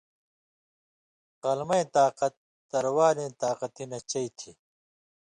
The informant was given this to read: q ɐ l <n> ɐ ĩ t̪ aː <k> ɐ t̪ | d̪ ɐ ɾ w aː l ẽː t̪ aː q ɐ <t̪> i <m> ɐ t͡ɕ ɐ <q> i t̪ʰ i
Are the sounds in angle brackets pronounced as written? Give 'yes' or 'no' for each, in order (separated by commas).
no, no, yes, no, no